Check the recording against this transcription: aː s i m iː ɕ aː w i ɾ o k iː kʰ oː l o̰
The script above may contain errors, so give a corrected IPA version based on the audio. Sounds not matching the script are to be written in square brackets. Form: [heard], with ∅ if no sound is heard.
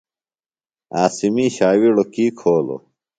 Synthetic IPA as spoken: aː s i m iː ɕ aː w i [ɽ] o k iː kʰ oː l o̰